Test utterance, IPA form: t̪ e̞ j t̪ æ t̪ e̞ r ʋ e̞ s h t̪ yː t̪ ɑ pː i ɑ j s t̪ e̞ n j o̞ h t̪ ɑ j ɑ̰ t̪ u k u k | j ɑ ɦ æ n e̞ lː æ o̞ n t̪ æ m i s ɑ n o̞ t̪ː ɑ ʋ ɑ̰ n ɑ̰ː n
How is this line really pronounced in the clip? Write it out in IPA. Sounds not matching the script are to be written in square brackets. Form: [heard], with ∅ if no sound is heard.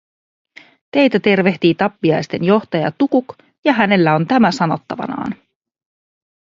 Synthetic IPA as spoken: t̪ e̞ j t̪ æ t̪ e̞ r ʋ e̞ [∅] h t̪ [iː] t̪ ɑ pː i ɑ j s t̪ e̞ n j o̞ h t̪ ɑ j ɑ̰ t̪ u k u k | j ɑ ɦ æ n e̞ lː æ o̞ n t̪ æ m [æ] s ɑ n o̞ t̪ː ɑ ʋ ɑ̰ n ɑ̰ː n